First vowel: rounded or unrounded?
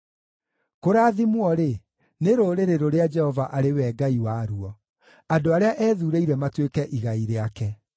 rounded